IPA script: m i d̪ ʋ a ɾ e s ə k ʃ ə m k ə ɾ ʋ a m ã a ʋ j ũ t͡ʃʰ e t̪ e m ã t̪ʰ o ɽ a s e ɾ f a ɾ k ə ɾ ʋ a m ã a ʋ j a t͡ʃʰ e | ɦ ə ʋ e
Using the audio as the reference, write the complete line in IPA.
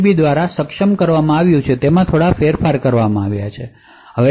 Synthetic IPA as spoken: b i d̪ ʋ a ɾ a s ə k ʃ ə m k ə ɾ ʋ a m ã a ʋ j ũ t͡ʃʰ e t̪ e m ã t̪ʰ o ɽ a f e ɾ f a ɾ k ə ɾ ʋ a m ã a ʋ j a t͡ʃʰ e | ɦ ə ʋ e